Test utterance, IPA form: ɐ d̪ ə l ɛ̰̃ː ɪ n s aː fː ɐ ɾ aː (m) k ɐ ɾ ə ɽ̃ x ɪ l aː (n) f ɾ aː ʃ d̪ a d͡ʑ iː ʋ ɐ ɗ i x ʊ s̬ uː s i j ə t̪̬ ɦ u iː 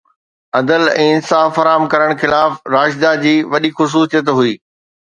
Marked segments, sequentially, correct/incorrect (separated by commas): correct, incorrect